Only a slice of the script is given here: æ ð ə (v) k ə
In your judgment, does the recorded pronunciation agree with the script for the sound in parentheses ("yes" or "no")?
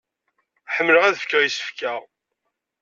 no